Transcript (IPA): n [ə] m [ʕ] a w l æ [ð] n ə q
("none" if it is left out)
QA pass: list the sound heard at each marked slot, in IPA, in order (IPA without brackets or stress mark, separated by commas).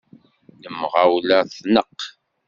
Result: ə, ʁ, θ